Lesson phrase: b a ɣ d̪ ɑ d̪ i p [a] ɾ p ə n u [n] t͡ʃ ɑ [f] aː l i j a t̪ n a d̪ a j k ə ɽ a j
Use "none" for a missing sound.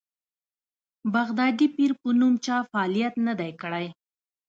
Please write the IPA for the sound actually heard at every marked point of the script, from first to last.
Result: i, m, f

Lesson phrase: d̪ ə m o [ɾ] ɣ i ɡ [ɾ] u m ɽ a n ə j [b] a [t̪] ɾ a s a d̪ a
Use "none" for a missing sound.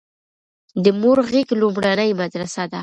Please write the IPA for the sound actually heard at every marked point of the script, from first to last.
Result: ɾ, l, m, d̪

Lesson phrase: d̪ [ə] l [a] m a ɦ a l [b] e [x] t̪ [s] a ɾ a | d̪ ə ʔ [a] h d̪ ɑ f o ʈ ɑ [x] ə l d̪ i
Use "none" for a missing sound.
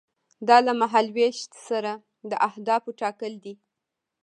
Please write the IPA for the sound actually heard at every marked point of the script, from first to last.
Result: ɑ, a, w, ʃ, s, a, k

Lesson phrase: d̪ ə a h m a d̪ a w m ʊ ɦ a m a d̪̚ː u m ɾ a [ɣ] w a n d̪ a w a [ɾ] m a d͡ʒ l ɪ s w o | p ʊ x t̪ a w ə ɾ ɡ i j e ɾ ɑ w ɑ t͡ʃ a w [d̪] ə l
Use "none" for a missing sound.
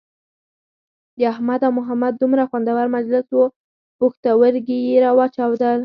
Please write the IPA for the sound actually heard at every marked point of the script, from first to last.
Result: x, ɾ, d̪

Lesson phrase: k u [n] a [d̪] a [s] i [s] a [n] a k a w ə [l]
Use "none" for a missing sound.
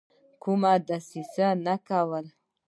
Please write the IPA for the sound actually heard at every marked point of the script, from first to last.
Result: m, d̪, s, s, n, l

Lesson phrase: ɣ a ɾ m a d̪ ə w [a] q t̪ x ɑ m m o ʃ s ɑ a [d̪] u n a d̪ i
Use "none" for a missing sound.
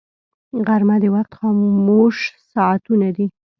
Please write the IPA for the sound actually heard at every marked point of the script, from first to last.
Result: a, t̪

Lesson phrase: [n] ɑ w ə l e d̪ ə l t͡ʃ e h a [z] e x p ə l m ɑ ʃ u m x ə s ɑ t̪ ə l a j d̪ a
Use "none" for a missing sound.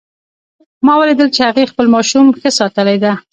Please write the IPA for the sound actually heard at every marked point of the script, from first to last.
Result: m, ɣ

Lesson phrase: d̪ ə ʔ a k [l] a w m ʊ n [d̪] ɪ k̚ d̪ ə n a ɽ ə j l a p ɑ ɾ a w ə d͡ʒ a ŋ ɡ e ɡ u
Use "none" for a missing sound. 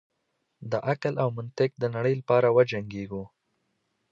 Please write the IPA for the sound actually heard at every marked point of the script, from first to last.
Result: l, t̪

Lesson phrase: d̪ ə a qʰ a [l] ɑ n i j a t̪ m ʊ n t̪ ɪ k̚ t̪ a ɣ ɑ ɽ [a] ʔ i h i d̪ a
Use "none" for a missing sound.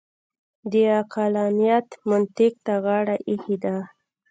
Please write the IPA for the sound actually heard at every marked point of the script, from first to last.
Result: l, a

